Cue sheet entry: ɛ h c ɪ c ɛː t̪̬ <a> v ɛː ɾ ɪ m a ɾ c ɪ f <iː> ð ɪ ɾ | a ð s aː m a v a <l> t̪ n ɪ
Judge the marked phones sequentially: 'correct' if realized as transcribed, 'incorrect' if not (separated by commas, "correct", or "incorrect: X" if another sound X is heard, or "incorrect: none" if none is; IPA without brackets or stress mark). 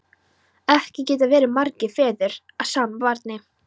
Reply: correct, incorrect: ɛː, incorrect: ɾ